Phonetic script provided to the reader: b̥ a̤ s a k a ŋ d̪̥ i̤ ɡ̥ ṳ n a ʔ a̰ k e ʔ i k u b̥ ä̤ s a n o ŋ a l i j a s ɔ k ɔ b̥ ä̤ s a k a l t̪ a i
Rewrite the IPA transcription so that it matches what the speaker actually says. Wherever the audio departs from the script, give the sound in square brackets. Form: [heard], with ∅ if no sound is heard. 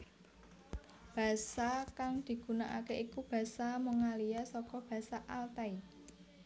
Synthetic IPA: b̥ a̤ s a k a ŋ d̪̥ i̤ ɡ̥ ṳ n a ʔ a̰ k e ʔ i k u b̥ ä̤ s a [m] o ŋ a l i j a s ɔ k ɔ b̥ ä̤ s a [ʔ] a l t̪ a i